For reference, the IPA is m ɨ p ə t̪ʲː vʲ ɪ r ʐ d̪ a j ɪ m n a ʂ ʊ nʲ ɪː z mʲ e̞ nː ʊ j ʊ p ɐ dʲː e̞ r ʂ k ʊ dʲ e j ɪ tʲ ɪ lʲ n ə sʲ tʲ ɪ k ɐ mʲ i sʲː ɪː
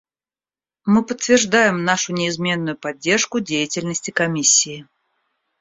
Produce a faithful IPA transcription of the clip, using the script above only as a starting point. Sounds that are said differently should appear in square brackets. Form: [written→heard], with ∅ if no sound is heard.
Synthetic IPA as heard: m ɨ p ə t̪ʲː vʲ ɪ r ʐ d̪ a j ɪ m n a ʂ ʊ nʲ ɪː z mʲ e̞ nː ʊ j ʊ p ɐ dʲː e̞ r ʂ k ʊ dʲ e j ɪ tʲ ɪ lʲ n ə sʲ tʲ ɪ k ɐ mʲ i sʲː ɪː